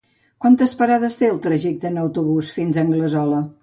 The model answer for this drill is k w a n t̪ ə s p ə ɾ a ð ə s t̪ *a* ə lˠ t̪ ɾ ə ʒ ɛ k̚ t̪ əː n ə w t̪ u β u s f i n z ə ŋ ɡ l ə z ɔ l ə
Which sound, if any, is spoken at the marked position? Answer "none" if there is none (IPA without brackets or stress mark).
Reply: e